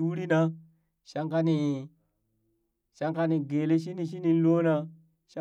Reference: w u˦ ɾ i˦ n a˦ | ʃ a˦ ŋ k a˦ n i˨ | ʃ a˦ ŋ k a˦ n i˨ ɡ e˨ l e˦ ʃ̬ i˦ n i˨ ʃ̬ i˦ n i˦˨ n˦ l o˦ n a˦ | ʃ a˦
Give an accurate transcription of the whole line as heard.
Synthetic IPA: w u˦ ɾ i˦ n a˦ | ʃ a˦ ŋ k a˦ n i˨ | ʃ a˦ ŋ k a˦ n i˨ ɡ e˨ l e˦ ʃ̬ i˦ n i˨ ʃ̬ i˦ n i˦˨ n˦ l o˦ n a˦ | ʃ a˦